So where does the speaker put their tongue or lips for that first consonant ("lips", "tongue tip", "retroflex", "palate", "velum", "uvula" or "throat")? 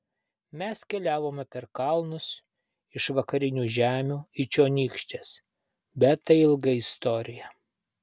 lips